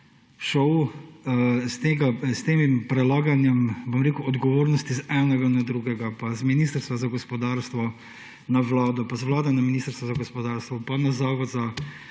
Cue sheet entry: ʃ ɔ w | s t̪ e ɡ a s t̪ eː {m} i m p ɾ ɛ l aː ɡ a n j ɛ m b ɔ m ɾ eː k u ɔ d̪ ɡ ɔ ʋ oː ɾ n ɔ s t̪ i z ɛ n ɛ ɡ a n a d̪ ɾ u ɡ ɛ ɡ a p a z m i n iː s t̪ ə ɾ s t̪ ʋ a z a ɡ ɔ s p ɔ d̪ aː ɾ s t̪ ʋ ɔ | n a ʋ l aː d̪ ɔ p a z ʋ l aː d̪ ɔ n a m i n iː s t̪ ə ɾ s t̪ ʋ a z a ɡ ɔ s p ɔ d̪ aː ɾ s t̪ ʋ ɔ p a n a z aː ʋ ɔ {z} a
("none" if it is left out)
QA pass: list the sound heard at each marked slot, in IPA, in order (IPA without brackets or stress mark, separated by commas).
m, z